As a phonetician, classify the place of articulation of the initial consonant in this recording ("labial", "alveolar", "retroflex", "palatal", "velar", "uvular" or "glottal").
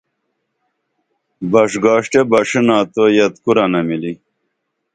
labial